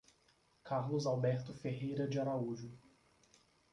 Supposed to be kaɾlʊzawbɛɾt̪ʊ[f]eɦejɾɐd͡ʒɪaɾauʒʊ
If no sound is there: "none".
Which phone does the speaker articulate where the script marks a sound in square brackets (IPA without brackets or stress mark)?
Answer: f